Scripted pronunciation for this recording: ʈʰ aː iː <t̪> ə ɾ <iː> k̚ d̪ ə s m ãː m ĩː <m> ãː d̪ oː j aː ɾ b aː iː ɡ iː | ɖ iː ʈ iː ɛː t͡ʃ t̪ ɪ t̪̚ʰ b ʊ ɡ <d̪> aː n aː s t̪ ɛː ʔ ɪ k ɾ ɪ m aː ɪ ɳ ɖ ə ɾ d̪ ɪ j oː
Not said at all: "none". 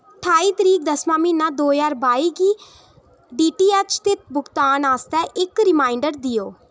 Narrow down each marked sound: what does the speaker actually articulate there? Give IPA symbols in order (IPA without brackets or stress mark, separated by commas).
t̪, iː, n, t̪